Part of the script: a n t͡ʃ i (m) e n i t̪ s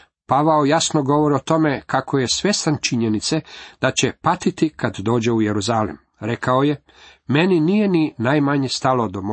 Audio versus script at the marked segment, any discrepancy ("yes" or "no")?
yes